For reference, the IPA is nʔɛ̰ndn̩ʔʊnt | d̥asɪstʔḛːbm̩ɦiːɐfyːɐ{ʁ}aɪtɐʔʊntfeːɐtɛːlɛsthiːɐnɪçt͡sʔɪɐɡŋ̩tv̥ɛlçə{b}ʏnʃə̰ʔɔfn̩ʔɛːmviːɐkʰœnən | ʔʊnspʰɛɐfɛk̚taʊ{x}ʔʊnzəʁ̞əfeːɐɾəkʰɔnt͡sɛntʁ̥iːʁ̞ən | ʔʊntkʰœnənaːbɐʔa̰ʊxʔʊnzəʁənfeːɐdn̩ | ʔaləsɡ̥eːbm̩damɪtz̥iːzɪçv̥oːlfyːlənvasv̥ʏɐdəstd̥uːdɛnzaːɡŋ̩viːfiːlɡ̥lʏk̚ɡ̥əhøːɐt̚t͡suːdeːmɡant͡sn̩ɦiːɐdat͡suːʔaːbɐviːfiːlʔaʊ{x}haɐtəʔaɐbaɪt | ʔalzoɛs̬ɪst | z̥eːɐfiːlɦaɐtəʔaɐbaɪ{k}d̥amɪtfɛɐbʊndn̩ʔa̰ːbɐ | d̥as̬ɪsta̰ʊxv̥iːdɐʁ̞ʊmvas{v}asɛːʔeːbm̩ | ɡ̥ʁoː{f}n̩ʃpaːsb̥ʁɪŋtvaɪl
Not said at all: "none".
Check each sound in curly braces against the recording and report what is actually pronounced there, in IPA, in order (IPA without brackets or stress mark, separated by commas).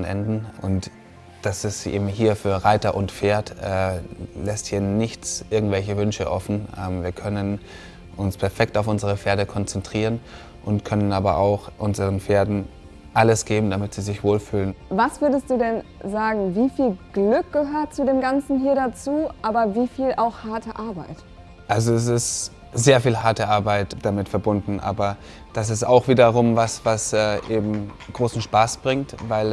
ʁ, v, f, x, t, v, s